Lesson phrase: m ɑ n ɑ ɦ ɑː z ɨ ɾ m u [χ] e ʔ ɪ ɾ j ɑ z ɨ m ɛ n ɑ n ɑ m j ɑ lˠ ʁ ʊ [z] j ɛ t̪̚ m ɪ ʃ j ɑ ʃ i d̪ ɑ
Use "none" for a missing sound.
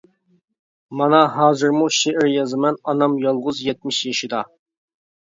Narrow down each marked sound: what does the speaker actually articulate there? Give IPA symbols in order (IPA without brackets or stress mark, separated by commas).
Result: ʃ, z